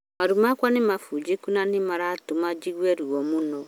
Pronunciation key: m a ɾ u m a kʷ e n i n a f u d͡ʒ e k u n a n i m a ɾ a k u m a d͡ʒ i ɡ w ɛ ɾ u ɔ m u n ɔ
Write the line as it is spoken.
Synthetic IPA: m a ɾ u m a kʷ a n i m a f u d͡ʒ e k u n a n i m a ɾ a t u m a d͡ʒ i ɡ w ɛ ɾ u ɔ m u n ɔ